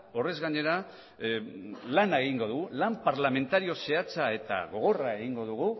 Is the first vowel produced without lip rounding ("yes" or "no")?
no